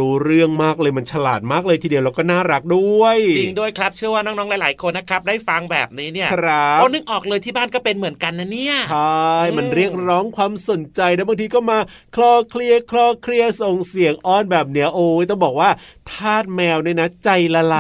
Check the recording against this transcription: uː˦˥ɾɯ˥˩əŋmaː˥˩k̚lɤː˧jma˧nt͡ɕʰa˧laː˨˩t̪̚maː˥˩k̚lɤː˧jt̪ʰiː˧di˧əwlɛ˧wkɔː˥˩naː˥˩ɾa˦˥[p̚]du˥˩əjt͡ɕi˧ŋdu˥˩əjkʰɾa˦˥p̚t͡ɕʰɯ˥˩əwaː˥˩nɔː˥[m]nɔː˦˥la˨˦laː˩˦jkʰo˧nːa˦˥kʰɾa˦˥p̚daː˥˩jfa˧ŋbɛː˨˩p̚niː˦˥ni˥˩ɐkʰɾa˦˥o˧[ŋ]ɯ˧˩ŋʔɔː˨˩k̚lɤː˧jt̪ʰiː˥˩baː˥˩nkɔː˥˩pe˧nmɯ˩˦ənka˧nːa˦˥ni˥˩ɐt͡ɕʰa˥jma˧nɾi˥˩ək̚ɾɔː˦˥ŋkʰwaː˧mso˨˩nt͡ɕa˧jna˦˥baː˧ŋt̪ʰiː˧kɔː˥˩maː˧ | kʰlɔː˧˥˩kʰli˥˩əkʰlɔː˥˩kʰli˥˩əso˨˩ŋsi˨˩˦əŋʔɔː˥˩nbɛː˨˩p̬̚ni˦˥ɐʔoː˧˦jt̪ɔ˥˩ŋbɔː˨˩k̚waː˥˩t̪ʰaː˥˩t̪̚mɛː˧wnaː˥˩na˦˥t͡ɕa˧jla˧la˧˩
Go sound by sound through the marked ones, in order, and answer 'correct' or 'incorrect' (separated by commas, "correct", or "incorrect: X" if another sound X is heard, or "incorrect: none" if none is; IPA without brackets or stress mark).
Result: incorrect: k̚, incorrect: ŋ, incorrect: n